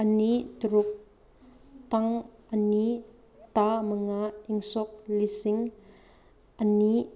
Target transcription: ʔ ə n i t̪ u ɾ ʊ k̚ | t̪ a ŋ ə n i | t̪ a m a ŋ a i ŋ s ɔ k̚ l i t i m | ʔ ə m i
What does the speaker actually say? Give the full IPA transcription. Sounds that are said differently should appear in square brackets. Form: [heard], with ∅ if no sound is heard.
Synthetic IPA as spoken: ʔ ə n i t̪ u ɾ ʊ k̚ | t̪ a ŋ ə n i | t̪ a m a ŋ a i ŋ s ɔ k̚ l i [s] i [ŋ] | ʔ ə [n] i